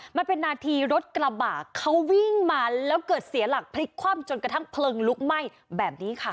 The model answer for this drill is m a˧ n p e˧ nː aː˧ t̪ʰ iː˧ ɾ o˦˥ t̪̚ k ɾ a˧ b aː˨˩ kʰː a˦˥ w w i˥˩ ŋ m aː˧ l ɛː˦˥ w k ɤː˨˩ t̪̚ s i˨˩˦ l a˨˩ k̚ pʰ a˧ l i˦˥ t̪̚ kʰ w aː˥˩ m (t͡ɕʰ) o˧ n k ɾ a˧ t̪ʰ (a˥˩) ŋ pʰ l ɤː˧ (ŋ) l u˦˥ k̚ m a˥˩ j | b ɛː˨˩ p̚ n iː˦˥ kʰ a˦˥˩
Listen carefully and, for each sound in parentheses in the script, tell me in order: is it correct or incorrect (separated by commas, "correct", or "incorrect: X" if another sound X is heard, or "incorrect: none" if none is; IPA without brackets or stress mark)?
incorrect: t͡ɕ, correct, correct